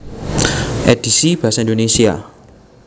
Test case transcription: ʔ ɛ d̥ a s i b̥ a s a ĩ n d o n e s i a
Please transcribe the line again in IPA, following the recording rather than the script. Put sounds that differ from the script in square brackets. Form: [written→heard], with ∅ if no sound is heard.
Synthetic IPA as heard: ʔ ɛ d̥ [a→i] s i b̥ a s a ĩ n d o n e s i a